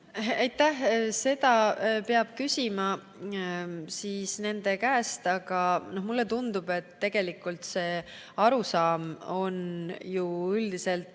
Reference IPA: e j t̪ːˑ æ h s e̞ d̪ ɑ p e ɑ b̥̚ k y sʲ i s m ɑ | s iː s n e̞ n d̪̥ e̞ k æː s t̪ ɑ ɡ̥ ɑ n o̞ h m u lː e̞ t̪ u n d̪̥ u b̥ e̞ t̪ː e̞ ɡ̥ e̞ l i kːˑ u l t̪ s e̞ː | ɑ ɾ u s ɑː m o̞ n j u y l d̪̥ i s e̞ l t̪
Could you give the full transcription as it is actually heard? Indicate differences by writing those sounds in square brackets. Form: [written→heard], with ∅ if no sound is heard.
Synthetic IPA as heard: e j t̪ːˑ æ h s e̞ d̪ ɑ p e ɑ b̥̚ k y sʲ i [s→∅] m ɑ | s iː s n e̞ n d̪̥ e̞ k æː s t̪ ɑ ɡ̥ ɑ n o̞ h m u lː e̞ t̪ u n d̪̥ u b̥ e̞ t̪ː e̞ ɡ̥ e̞ l i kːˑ u l t̪ s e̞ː | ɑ ɾ u s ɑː m o̞ n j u y l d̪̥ i s e̞ l t̪